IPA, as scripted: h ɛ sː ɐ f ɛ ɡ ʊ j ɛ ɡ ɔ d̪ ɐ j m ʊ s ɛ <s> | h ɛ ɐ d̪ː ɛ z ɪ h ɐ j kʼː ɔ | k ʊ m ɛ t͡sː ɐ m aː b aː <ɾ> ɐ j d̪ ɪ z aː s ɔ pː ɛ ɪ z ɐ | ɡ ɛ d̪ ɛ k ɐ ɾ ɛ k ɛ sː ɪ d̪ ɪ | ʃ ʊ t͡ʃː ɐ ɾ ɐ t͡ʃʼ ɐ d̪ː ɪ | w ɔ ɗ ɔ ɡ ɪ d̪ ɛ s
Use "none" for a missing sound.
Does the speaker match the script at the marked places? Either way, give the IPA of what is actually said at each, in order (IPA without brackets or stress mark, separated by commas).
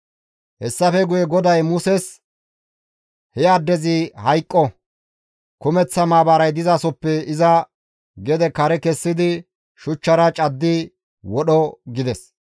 s, ɾ